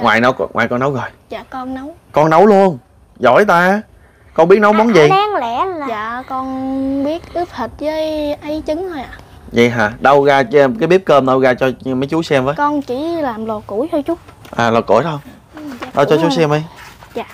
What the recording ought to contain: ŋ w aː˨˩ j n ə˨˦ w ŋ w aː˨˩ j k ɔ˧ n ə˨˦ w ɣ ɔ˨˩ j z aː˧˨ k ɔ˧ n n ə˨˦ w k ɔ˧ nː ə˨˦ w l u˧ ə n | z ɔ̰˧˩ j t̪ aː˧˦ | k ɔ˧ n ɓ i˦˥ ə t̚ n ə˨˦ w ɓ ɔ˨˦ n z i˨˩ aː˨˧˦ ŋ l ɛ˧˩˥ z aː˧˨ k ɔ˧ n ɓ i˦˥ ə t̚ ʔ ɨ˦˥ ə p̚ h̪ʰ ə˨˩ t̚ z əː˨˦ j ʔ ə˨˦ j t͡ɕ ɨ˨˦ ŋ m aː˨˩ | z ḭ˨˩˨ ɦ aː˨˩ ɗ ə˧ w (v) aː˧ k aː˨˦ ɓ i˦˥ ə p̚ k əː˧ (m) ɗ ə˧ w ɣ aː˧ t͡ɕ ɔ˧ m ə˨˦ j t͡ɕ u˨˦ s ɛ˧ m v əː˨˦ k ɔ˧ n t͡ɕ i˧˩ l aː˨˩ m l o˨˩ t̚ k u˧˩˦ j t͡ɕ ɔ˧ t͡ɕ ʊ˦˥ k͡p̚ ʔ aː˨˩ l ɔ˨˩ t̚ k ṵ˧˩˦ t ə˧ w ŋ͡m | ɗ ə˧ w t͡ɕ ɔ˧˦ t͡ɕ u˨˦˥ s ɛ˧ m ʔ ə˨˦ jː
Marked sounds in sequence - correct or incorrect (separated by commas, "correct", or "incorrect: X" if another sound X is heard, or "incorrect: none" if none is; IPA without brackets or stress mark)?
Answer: incorrect: ɣ, correct